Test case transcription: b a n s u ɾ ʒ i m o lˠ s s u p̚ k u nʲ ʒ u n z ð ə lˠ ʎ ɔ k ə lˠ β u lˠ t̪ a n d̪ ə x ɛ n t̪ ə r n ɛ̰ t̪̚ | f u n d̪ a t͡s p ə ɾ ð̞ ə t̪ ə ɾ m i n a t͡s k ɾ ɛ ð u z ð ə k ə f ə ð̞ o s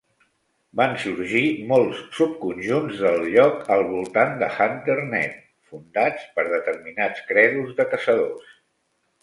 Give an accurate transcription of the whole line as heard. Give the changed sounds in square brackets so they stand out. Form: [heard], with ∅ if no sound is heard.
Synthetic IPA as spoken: b a n s u ɾ ʒ i m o lˠ s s u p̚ k u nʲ ʒ u n z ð ə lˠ ʎ ɔ k ə lˠ β u lˠ t̪ a n d̪ ə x [a] n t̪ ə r n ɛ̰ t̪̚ | f u n d̪ a t͡s p ə ɾ ð̞ ə t̪ ə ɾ m i n a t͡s k ɾ ɛ ð u z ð ə k ə [s] ə ð̞ o s

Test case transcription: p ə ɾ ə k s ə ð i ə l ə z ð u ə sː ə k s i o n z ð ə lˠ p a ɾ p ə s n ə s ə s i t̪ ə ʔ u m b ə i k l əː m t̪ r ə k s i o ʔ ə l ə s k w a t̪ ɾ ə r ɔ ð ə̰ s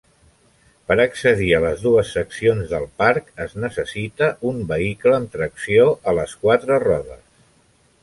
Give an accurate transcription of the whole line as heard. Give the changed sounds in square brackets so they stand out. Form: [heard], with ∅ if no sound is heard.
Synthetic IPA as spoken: p ə ɾ ə k s ə ð i ə l ə z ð u ə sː ə k s i o n z ð ə lˠ p a ɾ [k] ə [z] n ə s ə s i t̪ ə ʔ u m b ə i k l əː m t̪ [ɾ] ə k s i o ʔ ə l ə s k w a t̪ ɾ ə r ɔ ð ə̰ s

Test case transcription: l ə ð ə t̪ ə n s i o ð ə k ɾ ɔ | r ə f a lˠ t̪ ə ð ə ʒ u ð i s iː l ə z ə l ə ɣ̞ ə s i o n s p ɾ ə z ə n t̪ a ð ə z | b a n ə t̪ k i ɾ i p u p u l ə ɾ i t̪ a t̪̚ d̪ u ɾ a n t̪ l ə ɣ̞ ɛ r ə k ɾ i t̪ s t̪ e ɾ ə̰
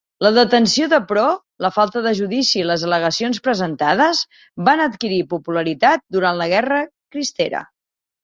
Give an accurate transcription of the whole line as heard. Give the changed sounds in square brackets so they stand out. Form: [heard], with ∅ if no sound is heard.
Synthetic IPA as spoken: l ə ð ə t̪ ə n s i o ð ə [p] ɾ ɔ | [l] ə f a lˠ t̪ ə ð ə ʒ u ð i s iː l ə z ə l ə ɣ̞ ə s i o n s p ɾ ə z ə n t̪ a ð ə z | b a n ə t̪ k i ɾ i p u p u l ə ɾ i t̪ a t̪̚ d̪ u ɾ a n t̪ l ə ɣ̞ ɛ r ə k ɾ i [∅] s t̪ e ɾ ə̰

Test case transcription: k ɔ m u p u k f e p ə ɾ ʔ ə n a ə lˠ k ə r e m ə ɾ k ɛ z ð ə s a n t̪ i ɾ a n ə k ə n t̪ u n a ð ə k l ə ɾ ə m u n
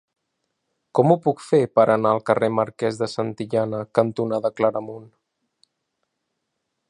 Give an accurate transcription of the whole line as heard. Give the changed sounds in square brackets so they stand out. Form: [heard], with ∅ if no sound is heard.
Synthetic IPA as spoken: k ɔ m u p u k f e p ə ɾ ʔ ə n a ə lˠ k ə r e m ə ɾ k ɛ z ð ə s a n t̪ i [ʎ] a n ə k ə n t̪ u n a ð ə k l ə ɾ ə m u n

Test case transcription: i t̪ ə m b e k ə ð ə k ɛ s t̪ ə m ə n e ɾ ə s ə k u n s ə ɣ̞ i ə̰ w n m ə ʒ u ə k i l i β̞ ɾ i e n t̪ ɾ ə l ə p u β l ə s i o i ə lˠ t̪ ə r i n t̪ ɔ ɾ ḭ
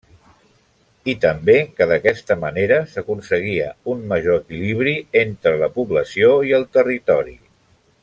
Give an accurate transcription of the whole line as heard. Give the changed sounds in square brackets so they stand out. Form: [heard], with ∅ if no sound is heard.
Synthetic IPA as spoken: i t̪ ə m b e k ə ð ə k ɛ s t̪ ə m ə n e ɾ ə s ə k u n s ə ɣ̞ i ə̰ [u] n m ə ʒ [o] ə k i l i β̞ ɾ i e n t̪ ɾ ə l ə p u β l ə s i o i ə lˠ t̪ ə r i [∅] t̪ ɔ ɾ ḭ

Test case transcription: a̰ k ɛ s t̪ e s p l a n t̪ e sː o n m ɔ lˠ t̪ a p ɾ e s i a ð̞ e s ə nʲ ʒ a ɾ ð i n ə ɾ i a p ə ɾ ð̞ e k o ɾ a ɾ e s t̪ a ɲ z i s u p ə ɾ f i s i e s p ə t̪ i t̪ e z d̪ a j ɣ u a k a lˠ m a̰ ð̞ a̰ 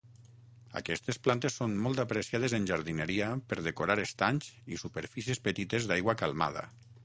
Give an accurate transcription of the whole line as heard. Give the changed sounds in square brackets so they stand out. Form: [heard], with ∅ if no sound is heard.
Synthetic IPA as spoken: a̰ k ɛ s t̪ e s p l a n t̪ e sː o n m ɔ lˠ t̪ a p ɾ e s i a ð̞ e [z] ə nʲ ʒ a ɾ ð i n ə ɾ i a p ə ɾ ð̞ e k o ɾ a ɾ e s t̪ a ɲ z i s u p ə ɾ f i s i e s p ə t̪ i t̪ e z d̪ a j ɣ [w] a k a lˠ m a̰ ð̞ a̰

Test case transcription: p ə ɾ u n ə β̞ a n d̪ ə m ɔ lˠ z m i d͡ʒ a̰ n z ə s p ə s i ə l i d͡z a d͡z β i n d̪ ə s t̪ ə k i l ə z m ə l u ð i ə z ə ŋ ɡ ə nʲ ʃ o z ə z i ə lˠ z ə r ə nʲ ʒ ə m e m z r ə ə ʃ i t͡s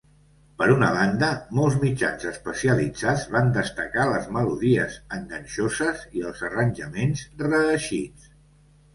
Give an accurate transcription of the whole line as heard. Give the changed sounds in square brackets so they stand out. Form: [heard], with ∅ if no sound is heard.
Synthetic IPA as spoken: p ə ɾ u n ə β̞ a n d̪ ə m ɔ lˠ z m i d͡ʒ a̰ n z ə s p ə s i ə l i d͡z a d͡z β [a] n d̪ ə s t̪ ə k [a] l ə z m ə l u ð i ə z ə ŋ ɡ ə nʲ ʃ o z ə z i ə lˠ z ə r ə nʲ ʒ ə m e [n] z r ə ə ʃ i t͡s

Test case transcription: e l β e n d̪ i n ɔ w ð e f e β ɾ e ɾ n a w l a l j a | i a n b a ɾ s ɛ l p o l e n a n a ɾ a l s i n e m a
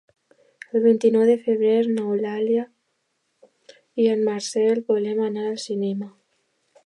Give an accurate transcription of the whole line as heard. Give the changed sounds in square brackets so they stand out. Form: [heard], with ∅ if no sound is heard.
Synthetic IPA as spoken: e l β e n [t̪] i n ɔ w ð e f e β ɾ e ɾ n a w l a l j a | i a n [m] a ɾ s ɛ l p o l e [m] a n a ɾ a l s i n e m a

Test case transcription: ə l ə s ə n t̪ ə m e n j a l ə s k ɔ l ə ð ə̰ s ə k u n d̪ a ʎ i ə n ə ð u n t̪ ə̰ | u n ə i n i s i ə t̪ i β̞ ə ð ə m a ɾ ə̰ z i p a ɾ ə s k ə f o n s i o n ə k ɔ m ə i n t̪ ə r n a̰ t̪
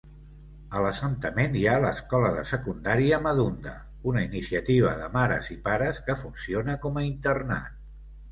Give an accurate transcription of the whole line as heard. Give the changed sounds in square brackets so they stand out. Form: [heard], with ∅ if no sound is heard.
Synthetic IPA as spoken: ə l ə s ə n t̪ ə m e n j a l ə s k ɔ l ə ð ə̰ s ə k u n d̪ a [ɾ] i ə [m] ə ð u n [d̪] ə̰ | u n ə i n i s i ə t̪ i β̞ ə ð ə m a ɾ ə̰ z i p a ɾ ə s k ə f [u] n s i o n ə k ɔ m ə i n t̪ ə r n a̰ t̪

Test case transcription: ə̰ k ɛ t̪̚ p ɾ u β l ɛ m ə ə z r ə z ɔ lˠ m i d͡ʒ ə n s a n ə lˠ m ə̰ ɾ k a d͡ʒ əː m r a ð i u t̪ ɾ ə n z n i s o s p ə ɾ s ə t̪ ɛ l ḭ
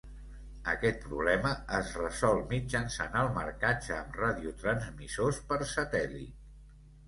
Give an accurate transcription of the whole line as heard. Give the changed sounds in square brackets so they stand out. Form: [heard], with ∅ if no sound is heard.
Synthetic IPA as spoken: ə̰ k ɛ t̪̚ p ɾ u β l ɛ m ə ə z r ə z ɔ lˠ m i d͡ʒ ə n s a n ə lˠ m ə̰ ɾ k a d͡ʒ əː m r a ð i u t̪ ɾ ə n z [m] i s o s p ə ɾ s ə t̪ ɛ l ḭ

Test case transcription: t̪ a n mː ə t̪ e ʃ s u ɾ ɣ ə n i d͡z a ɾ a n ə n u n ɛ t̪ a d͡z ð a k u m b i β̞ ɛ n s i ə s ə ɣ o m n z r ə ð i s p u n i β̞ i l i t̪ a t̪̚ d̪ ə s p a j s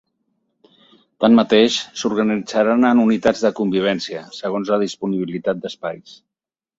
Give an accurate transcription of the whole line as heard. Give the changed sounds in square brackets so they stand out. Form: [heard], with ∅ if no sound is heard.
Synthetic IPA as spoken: t̪ a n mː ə t̪ e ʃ s u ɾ ɣ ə n i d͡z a ɾ a n ə n u n [i] t̪ a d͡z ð [ə] k u m b i β̞ ɛ n s i ə s ə ɣ o [∅] n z [l] ə ð i s p u n i β̞ i l i t̪ a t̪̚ d̪ ə s p a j s

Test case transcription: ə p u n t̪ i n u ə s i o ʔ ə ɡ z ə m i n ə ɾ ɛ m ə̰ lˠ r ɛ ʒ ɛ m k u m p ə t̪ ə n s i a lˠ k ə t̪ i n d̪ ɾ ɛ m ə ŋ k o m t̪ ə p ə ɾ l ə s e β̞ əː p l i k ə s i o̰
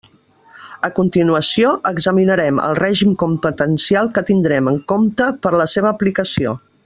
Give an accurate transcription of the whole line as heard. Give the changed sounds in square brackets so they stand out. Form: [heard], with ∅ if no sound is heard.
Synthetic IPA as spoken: ə [k] u n t̪ i n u ə s i o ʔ ə ɡ z ə m i n ə ɾ ɛ m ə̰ lˠ r ɛ ʒ [i] m k u m p ə t̪ ə n s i a lˠ k ə t̪ i n d̪ ɾ ɛ m ə ŋ k o m t̪ ə p ə ɾ l ə s e β̞ əː p l i k ə s i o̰

